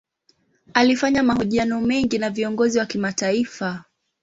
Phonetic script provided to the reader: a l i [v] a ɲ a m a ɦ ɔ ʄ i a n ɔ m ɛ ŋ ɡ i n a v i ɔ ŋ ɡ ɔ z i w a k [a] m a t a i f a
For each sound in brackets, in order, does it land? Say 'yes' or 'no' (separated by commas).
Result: no, no